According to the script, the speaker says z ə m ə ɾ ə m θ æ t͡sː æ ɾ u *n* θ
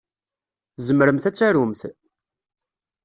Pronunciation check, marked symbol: incorrect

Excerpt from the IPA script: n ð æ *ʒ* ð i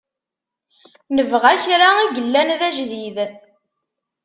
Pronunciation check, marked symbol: correct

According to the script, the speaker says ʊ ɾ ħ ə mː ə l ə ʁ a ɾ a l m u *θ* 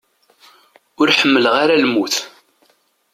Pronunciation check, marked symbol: correct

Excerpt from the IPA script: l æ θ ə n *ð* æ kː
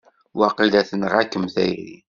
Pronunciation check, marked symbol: incorrect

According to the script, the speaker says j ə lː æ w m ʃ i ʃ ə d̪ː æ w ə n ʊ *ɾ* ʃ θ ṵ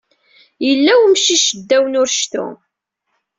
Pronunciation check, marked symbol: correct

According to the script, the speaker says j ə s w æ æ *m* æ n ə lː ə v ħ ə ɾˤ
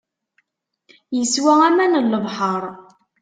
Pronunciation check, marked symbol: correct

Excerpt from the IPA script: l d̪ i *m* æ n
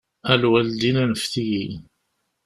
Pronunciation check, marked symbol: incorrect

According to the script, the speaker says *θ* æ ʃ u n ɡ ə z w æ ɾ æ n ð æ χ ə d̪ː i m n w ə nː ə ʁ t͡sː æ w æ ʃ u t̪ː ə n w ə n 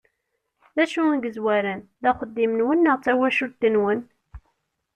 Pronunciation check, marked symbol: incorrect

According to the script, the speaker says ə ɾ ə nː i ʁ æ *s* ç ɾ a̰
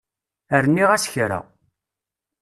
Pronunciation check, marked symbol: correct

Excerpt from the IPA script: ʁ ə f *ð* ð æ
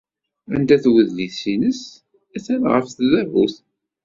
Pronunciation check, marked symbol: incorrect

